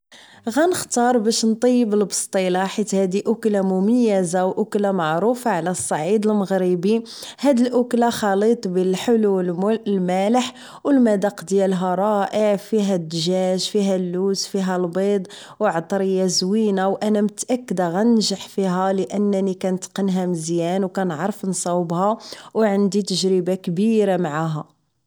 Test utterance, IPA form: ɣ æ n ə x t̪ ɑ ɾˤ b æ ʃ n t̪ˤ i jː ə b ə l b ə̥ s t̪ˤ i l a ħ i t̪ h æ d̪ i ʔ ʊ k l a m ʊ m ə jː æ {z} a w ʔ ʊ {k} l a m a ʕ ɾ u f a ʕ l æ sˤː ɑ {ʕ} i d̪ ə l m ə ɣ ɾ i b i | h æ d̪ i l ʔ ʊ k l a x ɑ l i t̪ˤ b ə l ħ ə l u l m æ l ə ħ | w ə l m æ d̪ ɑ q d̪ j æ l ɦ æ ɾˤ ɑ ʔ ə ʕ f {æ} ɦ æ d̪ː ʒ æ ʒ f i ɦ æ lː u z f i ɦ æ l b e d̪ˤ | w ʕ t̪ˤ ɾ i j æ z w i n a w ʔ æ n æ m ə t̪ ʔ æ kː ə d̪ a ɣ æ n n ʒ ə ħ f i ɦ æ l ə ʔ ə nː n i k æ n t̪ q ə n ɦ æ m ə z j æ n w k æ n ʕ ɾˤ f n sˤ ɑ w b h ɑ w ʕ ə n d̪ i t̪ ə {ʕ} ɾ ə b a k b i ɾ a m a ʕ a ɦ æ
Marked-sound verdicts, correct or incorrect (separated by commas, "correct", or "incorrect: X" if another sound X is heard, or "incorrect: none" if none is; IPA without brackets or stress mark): correct, correct, correct, incorrect: i, incorrect: ʒ